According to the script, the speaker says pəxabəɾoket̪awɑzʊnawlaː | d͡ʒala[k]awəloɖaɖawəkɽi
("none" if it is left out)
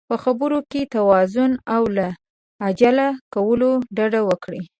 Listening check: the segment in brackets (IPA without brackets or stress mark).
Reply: k